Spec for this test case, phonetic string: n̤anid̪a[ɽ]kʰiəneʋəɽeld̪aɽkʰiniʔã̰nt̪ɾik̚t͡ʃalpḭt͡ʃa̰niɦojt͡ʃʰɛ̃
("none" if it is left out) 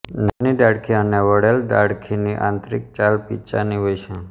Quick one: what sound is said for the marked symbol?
ɽ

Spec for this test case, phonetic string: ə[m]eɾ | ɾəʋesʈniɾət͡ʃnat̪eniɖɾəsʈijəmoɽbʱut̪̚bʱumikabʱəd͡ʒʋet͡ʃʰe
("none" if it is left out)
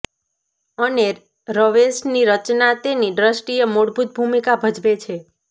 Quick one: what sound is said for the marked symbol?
n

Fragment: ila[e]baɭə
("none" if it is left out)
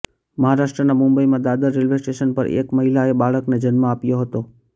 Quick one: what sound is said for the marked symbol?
e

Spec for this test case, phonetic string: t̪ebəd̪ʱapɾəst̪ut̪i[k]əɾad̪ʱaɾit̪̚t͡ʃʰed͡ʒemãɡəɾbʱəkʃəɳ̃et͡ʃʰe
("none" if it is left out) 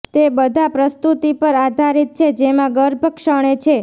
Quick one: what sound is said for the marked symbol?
p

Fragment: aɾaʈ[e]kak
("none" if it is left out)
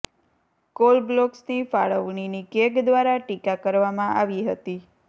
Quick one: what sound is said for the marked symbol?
i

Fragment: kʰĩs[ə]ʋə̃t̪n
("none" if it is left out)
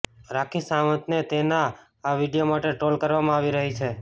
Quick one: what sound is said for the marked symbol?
a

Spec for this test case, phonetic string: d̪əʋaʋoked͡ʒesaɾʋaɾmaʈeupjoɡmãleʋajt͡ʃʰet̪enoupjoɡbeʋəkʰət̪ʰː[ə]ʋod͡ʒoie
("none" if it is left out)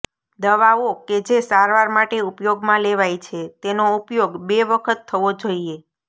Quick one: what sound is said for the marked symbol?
ə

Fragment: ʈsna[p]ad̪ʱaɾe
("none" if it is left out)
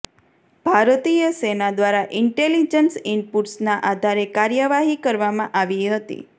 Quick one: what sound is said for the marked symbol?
ʔ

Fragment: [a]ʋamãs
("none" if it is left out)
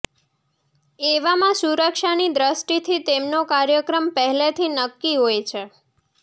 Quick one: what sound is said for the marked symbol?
e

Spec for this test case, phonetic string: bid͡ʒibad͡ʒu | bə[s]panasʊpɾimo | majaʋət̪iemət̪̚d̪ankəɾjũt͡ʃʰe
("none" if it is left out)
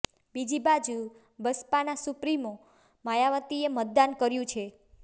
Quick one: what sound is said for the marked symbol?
s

